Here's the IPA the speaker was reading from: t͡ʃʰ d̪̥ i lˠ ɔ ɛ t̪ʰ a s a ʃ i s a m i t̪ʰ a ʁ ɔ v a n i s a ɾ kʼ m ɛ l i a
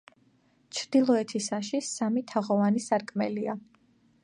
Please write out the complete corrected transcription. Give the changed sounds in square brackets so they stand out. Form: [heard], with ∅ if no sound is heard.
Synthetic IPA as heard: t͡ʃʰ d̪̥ i lˠ ɔ ɛ t̪ʰ [i] s a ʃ i s a m i t̪ʰ a ʁ ɔ v a n i s a ɾ kʼ m ɛ l i a